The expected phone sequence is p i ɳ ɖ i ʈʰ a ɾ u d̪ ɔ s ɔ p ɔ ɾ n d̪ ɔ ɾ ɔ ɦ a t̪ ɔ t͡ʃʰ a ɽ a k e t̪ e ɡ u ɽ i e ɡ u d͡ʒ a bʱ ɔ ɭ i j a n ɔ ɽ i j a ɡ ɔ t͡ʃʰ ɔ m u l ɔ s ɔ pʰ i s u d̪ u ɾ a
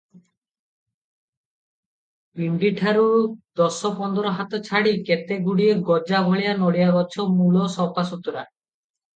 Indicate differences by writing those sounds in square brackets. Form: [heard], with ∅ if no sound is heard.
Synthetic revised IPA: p i ɳ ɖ i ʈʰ a ɾ u d̪ ɔ s ɔ p ɔ [∅] n d̪ ɔ ɾ ɔ ɦ a t̪ ɔ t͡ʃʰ a ɽ [i] k e t̪ e ɡ u ɽ i e ɡ [ɔ] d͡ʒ a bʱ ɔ ɭ i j a n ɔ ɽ i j a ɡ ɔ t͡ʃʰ ɔ m u l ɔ s ɔ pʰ [a] s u [t̪] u ɾ a